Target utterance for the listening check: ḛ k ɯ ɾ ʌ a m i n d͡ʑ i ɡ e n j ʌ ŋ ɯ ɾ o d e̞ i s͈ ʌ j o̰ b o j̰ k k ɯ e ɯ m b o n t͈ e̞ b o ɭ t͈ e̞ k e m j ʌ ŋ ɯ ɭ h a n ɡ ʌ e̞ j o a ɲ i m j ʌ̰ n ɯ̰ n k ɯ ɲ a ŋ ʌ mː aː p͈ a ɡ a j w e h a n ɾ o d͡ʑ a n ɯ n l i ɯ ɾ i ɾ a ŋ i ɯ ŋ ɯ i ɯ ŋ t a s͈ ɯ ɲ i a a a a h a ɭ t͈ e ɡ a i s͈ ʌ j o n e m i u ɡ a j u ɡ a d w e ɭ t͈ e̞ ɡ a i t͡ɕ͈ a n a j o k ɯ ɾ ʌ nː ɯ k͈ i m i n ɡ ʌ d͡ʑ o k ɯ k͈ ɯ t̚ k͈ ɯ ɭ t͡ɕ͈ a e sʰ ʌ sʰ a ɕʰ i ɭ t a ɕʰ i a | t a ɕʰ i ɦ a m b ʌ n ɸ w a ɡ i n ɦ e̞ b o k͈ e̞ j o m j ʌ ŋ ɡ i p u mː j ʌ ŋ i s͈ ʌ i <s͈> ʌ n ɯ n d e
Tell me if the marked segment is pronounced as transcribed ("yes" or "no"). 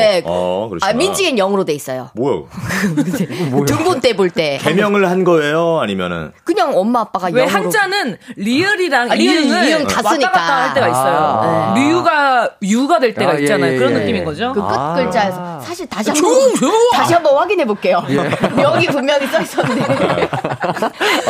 yes